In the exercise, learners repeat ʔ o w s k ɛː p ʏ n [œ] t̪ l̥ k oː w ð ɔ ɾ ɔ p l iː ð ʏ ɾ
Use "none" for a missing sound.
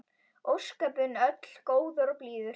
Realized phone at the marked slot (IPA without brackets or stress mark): œ